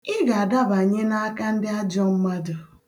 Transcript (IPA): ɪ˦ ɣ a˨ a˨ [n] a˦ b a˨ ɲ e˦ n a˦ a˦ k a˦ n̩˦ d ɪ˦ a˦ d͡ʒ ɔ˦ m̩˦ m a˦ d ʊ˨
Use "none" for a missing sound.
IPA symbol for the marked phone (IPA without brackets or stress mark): d